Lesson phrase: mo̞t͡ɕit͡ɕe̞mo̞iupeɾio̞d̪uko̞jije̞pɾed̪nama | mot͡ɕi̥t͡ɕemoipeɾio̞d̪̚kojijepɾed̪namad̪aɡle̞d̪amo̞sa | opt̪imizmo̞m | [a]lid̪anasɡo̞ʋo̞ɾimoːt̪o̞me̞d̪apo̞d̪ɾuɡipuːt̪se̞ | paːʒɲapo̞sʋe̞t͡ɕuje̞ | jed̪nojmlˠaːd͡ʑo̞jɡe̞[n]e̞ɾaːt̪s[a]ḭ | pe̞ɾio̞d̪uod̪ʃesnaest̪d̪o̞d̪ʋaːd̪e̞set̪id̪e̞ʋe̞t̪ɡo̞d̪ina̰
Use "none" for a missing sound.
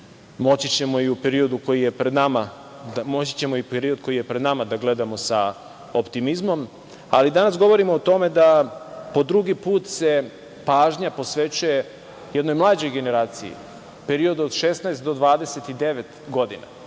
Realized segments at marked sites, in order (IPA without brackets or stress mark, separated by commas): a, n, i